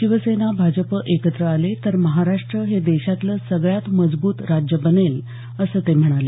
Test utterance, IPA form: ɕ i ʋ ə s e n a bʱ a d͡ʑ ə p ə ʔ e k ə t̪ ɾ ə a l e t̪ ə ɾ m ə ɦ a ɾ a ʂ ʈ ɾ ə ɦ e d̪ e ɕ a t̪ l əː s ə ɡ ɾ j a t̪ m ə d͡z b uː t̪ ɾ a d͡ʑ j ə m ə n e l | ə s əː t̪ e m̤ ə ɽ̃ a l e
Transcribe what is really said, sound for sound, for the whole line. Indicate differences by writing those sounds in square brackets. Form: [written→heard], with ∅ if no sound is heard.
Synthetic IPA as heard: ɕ i ʋ ə s e n a bʱ a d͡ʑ ə p ə ʔ e k ə t̪ ɾ ə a l e t̪ ə ɾ m ə ɦ a ɾ a ʂ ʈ ɾ ə ɦ e d̪ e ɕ a t̪ l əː s ə ɡ [ɾ→ɭ] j a t̪ m ə d͡z b uː t̪ ɾ a d͡ʑ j ə [m→b] ə n e l | ə s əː t̪ e m̤ ə ɽ̃ a l e

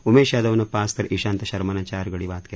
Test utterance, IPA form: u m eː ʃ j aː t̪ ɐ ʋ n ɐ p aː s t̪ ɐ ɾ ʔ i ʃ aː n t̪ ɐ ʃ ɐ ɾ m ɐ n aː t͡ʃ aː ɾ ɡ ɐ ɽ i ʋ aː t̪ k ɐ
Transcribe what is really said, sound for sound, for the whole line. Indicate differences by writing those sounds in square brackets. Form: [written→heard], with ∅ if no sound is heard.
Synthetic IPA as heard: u m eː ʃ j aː [t̪→d̪] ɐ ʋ n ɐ p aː s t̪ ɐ ɾ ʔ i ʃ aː n t̪ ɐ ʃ ɐ ɾ m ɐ n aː t͡ʃ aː ɾ ɡ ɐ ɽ i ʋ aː t̪ k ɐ

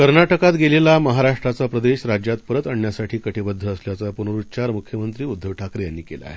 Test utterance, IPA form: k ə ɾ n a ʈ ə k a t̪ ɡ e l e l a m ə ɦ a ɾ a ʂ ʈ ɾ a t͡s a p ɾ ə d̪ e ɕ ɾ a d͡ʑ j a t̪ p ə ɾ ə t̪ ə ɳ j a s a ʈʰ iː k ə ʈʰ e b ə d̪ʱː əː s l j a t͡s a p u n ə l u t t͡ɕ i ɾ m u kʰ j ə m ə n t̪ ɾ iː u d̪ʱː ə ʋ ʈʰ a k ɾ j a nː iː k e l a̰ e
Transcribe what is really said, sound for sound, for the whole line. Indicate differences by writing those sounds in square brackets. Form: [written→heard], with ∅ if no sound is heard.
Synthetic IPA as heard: k ə ɾ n a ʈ ə k a t̪ ɡ e l e l a m ə ɦ a ɾ a ʂ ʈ ɾ a t͡s a p ɾ ə d̪ e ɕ ɾ a d͡ʑ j a t̪ p ə ɾ ə t̪ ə ɳ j a s a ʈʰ iː k ə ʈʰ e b ə d̪ʱː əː s l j a t͡s a p u n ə [l→ɾ] u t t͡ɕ [i→a] ɾ m u kʰ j ə m ə n t̪ ɾ iː u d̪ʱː ə ʋ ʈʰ a k ɾ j a nː iː k e l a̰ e

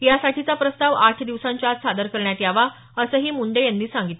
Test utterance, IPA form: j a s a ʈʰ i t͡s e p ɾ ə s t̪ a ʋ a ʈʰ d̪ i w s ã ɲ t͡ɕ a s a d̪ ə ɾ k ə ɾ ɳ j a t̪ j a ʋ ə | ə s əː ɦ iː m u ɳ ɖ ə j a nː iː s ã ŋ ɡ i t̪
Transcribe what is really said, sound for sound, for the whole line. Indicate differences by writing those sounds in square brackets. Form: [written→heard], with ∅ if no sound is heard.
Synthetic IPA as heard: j a s a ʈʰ i t͡s [e→a] p ɾ ə s t̪ a ʋ a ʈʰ d̪ i [w→ʋ] s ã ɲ t͡ɕ a s a d̪ ə ɾ k ə ɾ ɳ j a t̪ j a ʋ [ə→a] | ə s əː ɦ iː m u ɳ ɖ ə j a nː iː s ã ŋ ɡ i t̪

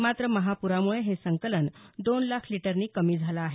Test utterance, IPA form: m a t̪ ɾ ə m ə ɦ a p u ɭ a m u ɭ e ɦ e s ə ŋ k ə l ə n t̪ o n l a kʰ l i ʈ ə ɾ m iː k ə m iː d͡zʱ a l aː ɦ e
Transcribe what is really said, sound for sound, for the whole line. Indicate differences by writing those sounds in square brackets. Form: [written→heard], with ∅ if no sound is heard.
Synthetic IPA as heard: m a t̪ ɾ ə m ə ɦ a p u [ɭ→ɾ] a m u ɭ e ɦ e s ə ŋ k ə l ə n [t̪→d̪] o n l a kʰ l i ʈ ə ɾ [m→n] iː k ə m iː d͡zʱ a l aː ɦ e

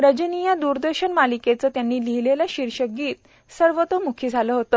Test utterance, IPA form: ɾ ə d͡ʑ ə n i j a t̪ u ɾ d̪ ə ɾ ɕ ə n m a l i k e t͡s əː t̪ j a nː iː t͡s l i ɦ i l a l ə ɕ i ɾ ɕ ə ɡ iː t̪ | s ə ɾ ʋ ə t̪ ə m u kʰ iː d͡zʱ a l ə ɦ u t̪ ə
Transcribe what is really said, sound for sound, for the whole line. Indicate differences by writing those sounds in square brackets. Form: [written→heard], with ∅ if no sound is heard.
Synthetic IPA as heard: ɾ ə d͡ʑ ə n i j a [t̪→d̪] u ɾ d̪ ə ɾ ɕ ə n m a l i k e t͡s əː t̪ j a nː iː [t͡s→∅] l i ɦ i l [a→e] l [ə→a] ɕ i ɾ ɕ ə ɡ iː t̪ | s ə ɾ ʋ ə t̪ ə m u kʰ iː d͡zʱ a l ə ɦ [u→o] t̪ ə

